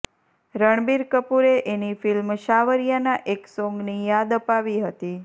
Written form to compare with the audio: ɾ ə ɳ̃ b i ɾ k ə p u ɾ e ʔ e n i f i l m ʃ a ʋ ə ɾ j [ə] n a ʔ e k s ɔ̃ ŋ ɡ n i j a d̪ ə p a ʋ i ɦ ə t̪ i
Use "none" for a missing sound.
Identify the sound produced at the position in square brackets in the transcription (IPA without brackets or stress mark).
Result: a